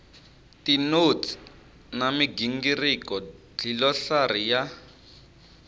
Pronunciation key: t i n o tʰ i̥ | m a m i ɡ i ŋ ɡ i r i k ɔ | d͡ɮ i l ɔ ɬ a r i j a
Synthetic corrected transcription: t i n o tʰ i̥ | n a m i ɡ i ŋ ɡ i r i k ɔ | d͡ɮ i l ɔ ɬ a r i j a